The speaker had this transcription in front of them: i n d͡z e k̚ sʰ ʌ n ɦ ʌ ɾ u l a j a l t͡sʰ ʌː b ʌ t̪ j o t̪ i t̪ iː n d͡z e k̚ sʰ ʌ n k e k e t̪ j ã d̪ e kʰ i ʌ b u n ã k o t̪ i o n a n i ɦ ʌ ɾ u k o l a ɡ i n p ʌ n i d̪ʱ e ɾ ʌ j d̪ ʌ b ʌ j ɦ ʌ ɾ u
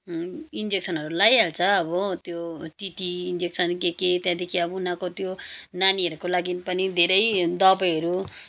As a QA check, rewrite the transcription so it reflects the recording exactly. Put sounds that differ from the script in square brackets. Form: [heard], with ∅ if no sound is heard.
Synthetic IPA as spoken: i n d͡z e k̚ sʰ ʌ n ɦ ʌ ɾ u l a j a l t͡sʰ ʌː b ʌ t̪ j o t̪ i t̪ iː n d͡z e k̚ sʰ ʌ n k e k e t̪ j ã d̪ e kʰ i ʌ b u n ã k o t̪ [j] o n a n i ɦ ʌ ɾ u k o l a ɡ i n p ʌ n i d̪ʱ e ɾ ʌ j d̪ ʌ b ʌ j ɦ ʌ ɾ u

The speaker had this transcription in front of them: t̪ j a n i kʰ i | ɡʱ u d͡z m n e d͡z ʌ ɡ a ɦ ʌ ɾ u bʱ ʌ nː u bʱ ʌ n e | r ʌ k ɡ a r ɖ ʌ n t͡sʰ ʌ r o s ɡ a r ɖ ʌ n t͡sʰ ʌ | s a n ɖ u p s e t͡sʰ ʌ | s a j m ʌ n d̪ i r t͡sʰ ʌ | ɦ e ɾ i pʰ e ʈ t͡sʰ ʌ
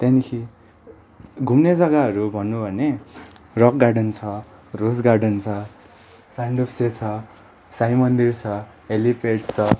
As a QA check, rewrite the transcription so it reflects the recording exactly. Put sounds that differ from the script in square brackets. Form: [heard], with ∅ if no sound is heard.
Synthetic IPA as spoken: t̪ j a n i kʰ i | ɡʱ u [∅] m n e d͡z ʌ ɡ a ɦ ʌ ɾ u bʱ ʌ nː u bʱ ʌ n e | r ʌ k ɡ a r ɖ ʌ n t͡sʰ ʌ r o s ɡ a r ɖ ʌ n t͡sʰ ʌ | s a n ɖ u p s e t͡sʰ ʌ | s a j m ʌ n d̪ i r t͡sʰ ʌ | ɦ e [l] i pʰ e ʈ t͡sʰ ʌ

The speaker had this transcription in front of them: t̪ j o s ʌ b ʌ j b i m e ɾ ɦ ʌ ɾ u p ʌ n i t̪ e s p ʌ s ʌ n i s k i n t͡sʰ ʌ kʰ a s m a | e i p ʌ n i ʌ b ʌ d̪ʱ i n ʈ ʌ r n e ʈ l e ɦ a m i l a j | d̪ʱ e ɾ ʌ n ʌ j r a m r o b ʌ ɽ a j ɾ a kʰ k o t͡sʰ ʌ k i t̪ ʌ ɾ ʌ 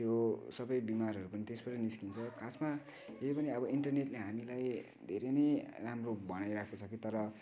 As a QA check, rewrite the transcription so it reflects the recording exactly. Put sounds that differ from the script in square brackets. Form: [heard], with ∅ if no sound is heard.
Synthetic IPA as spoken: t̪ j o s ʌ b ʌ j b i m [a] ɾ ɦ ʌ ɾ u p ʌ n i t̪ e s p ʌ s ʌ n i s k i n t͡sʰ ʌ kʰ a s m a | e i p ʌ n i ʌ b ʌ [∅] i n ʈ ʌ r n e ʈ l e ɦ a m i l a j | d̪ʱ e ɾ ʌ n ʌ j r a m r o b ʌ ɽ a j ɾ a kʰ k o t͡sʰ ʌ k i t̪ ʌ ɾ ʌ

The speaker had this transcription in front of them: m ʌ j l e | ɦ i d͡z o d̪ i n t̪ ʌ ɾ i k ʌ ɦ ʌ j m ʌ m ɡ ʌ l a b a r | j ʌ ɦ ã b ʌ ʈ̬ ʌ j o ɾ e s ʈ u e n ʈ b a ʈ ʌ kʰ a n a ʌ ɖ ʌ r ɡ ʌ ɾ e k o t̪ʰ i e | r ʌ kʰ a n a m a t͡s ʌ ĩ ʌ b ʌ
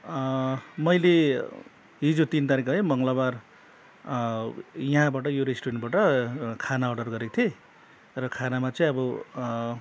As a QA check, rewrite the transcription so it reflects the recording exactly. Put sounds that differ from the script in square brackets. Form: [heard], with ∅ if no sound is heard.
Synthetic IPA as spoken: m ʌ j l e | ɦ i d͡z o [t̪] i n t̪ [a] ɾ i k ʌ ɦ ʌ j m ʌ [ŋ] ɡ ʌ l a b a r | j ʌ ɦ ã b [a] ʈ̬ ʌ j o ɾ e s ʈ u e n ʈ b a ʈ ʌ kʰ a n a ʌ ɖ ʌ r ɡ ʌ ɾ e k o t̪ʰ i e | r ʌ kʰ a n a m a t͡s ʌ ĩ ʌ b ʌ

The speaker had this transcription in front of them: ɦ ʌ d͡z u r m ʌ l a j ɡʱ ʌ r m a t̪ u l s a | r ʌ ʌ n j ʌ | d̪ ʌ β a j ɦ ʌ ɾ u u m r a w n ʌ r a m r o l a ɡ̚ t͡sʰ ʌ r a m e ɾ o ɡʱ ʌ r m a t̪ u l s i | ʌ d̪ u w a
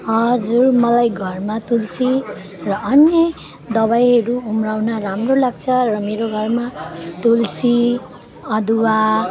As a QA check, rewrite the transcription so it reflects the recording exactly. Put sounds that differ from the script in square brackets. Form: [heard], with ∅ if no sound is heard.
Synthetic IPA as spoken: ɦ ʌ d͡z u r m ʌ l a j ɡʱ ʌ r m a t̪ u l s [i] | r ʌ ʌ n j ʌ | d̪ ʌ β a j ɦ ʌ ɾ u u m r a w n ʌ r a m r o l a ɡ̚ t͡sʰ ʌ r [ʌ] m e ɾ o ɡʱ ʌ r m a t̪ u l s i | ʌ d̪ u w a

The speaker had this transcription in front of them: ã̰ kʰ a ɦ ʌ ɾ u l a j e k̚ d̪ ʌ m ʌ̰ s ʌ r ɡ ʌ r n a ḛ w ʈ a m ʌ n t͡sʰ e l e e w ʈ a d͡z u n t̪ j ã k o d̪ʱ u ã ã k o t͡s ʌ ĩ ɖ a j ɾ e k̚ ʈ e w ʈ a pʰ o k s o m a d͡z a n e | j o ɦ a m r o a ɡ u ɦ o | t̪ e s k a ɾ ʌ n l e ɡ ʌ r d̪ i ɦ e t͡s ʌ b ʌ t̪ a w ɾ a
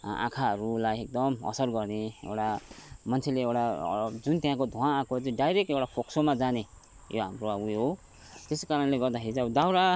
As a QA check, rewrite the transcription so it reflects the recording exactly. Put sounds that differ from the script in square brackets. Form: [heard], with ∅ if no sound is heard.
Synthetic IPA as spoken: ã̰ kʰ a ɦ ʌ ɾ u l a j e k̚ d̪ ʌ m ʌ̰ s ʌ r ɡ ʌ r n [e] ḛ w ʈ a m ʌ n t͡sʰ e l e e w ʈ a d͡z u n t̪ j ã k o d̪ʱ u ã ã k o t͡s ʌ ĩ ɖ a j ɾ e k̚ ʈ e w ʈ a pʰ o k s o m a d͡z a n e | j o ɦ a m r o a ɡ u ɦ o | t̪ e s k a ɾ ʌ n l e ɡ ʌ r d̪ [a] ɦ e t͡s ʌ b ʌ [d̪] a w ɾ a

